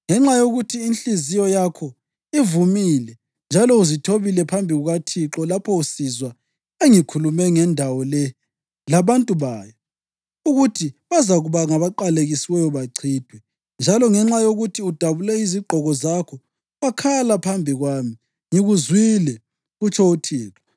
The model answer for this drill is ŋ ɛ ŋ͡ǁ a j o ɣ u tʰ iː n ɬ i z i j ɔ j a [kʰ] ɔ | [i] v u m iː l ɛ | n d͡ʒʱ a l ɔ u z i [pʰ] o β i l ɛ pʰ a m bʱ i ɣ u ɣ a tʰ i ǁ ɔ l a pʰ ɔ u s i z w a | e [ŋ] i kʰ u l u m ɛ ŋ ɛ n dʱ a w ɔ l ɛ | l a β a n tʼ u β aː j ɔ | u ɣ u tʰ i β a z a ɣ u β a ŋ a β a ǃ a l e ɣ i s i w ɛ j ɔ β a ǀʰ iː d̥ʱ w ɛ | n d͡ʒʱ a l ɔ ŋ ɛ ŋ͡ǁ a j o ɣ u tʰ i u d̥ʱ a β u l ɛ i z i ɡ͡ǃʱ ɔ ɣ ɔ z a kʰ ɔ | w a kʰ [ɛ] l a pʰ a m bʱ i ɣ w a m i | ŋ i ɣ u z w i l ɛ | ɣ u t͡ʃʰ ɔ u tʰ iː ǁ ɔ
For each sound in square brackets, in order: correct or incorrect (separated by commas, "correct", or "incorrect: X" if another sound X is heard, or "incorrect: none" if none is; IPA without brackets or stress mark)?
correct, correct, incorrect: tʰ, correct, incorrect: a